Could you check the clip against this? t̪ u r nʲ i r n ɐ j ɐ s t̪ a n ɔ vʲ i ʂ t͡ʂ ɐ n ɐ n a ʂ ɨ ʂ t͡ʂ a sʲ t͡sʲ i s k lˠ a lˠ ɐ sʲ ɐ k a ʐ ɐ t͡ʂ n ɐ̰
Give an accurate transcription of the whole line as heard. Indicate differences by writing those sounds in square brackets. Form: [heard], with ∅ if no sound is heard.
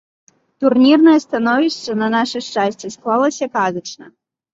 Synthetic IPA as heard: t̪ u r nʲ i r n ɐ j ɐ s t̪ a n ɔ vʲ i ʂ t͡ʂ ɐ n ɐ n a ʂ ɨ ʂ t͡ʂ a sʲ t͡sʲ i s k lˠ a lˠ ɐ sʲ ɐ k a [z] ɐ t͡ʂ n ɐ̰